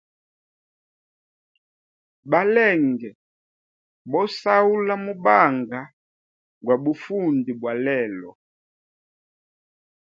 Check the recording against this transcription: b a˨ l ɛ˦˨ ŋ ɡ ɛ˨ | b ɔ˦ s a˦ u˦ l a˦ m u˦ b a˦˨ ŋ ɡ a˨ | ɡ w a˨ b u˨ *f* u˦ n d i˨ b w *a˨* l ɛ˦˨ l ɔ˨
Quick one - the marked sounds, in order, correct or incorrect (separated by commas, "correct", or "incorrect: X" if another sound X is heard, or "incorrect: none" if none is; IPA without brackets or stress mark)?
correct, correct